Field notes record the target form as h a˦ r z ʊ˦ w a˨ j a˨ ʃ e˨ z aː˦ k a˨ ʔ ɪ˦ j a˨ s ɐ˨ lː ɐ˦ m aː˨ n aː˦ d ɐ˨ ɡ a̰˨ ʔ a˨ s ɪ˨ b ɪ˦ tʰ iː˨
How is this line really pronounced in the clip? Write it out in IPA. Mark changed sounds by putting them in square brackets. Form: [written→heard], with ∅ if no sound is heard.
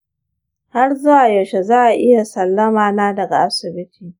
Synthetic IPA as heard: h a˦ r z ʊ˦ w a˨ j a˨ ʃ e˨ z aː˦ [k→ʔ] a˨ ʔ ɪ˦ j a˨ s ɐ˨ lː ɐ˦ m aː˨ n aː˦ d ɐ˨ ɡ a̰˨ ʔ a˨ s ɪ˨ b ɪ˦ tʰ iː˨